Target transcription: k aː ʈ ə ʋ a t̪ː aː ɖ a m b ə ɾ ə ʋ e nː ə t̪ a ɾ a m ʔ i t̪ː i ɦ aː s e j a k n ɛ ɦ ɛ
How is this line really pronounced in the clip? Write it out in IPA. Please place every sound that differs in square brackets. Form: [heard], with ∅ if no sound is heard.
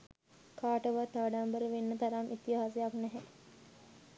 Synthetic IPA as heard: k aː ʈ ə ʋ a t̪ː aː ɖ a m b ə ɾ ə ʋ e nː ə t̪ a ɾ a m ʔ i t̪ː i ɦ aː s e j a k n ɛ ɦ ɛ